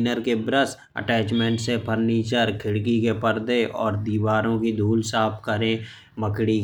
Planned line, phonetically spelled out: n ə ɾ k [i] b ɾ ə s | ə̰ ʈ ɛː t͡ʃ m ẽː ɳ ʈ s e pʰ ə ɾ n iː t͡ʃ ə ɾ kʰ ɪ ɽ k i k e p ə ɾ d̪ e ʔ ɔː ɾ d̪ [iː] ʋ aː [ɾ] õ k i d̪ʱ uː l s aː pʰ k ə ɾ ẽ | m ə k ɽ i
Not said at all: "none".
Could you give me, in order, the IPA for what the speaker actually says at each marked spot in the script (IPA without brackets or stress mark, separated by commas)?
e, iː, ɾ